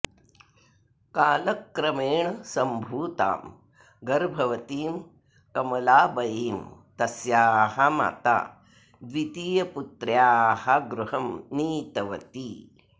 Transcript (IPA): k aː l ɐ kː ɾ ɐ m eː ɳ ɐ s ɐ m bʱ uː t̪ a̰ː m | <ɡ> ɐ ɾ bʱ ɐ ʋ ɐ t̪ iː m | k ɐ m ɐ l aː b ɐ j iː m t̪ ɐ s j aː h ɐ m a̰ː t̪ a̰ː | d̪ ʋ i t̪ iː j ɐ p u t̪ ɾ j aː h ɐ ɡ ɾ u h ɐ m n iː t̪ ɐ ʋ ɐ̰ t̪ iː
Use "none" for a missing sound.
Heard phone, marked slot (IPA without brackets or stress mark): ɡ